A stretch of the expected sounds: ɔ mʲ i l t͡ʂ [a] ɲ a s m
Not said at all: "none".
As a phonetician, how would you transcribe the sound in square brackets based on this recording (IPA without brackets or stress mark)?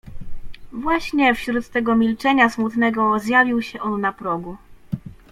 ɛ